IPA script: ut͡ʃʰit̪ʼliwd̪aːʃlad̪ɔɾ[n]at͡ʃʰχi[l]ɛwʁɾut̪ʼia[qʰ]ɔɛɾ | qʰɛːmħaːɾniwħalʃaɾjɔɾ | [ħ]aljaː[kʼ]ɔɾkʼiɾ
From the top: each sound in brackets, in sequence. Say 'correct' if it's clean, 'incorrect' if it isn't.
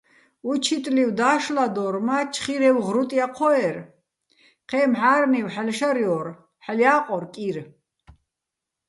incorrect: m, incorrect: ɾ, correct, correct, incorrect: qʼ

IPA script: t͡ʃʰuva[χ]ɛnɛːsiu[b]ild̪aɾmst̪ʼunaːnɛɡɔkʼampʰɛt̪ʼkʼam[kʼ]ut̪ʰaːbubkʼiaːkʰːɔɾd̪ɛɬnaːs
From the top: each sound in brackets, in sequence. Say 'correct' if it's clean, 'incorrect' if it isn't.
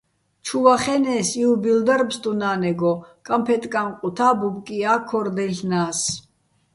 correct, correct, incorrect: qʼ

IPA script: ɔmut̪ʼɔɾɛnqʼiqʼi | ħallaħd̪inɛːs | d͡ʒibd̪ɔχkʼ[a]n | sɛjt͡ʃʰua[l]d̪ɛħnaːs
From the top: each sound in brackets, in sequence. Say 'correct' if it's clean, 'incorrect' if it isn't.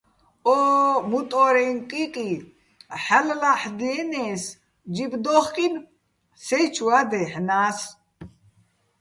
incorrect: i, incorrect: none

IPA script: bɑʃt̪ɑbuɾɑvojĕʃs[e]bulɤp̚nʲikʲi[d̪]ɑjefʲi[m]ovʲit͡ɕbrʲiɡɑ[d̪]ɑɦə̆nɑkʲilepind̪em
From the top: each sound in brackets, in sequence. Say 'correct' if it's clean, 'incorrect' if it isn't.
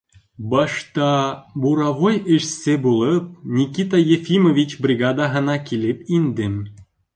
correct, incorrect: t̪, correct, correct

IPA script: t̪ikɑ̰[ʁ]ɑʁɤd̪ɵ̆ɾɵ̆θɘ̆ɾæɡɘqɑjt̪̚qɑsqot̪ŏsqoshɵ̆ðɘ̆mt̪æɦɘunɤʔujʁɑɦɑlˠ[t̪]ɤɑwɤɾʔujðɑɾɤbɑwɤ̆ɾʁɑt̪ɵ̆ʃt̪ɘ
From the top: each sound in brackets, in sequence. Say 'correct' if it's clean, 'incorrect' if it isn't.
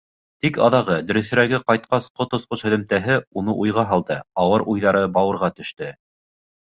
incorrect: ð, incorrect: d̪

